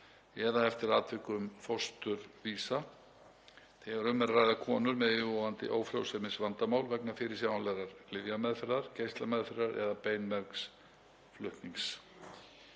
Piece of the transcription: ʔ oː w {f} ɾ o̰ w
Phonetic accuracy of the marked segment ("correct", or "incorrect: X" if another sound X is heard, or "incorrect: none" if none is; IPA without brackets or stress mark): correct